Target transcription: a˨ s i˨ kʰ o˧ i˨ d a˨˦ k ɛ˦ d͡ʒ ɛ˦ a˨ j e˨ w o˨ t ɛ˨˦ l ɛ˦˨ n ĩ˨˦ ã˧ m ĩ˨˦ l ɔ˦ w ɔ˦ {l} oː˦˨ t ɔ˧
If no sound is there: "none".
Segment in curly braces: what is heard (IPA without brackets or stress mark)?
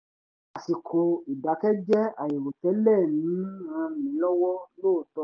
l